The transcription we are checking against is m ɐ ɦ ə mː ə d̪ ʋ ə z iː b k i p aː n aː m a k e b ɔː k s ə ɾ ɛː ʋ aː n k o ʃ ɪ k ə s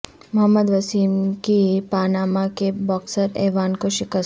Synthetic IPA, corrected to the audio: m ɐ ɦ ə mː ə d̪ ʋ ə s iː m k i p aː n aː m a k e b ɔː k s ə ɾ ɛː ʋ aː n k o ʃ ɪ k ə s